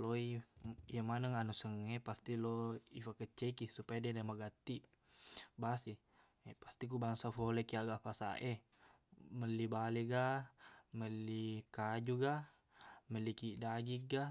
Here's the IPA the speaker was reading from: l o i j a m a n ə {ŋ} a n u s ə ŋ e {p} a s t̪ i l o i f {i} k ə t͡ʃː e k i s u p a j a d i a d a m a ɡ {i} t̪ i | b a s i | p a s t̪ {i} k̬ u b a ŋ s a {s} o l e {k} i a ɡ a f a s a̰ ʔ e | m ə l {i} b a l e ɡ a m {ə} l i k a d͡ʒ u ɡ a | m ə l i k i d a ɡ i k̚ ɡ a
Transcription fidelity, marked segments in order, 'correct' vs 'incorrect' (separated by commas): correct, correct, incorrect, incorrect, correct, incorrect, correct, correct, correct